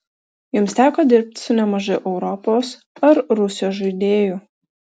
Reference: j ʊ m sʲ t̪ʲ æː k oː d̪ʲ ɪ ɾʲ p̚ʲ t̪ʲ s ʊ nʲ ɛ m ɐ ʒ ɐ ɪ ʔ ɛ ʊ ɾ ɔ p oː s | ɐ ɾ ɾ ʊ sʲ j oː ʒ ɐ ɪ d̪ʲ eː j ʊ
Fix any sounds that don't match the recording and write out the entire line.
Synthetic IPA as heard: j ʊ m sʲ t̪ʲ æː k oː d̪ʲ ɪ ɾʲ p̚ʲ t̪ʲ s ʊ nʲ ɛ m ɐ ʒ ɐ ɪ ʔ ɛ ʊ ɾ ɔ p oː s | ɐ ɾ ɾ ʊ sʲ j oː ʒ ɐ ɪ d̪ʲ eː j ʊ